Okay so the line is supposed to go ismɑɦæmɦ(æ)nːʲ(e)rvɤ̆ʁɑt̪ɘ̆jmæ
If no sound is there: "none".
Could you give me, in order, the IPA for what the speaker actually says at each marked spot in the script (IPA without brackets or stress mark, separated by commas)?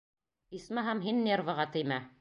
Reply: i, e